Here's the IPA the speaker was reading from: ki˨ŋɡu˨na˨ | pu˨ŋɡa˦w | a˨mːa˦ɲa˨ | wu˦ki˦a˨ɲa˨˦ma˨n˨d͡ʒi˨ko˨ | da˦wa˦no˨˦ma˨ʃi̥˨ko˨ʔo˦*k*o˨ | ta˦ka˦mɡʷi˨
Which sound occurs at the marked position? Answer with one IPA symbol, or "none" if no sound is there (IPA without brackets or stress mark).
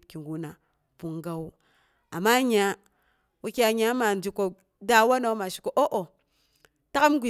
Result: ʔ